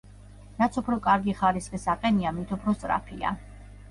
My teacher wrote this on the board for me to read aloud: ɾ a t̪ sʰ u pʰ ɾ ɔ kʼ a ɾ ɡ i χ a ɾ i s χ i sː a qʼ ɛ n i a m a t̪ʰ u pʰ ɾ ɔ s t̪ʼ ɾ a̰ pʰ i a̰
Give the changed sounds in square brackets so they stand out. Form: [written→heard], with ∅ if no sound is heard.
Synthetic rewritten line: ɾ a t̪ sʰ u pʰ ɾ ɔ kʼ a ɾ ɡ i χ a ɾ i s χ i [sː→s] a qʼ ɛ n i a m [a→i] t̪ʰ u pʰ ɾ ɔ s t̪ʼ ɾ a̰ pʰ i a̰